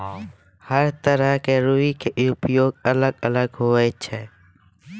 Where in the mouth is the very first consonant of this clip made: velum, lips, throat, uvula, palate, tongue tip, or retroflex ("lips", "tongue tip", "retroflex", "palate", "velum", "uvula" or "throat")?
throat